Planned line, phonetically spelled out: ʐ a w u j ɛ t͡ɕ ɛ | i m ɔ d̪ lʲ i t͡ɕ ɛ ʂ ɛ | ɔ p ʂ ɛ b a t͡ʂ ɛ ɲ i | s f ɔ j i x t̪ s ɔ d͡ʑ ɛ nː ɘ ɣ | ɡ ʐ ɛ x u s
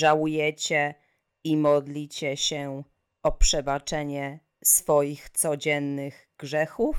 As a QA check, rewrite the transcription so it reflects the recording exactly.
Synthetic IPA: ʐ a w u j ɛ t͡ɕ ɛ | i m ɔ d̪ lʲ i t͡ɕ ɛ ɕ ɛ | ɔ p ʂ ɛ b a t͡ʂ ɛ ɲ ɛ | s f ɔ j i x t̪ s ɔ d͡ʑ ɛ nː ɘ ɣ | ɡ ʐ ɛ x u f